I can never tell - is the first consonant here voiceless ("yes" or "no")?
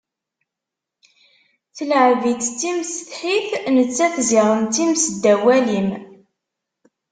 yes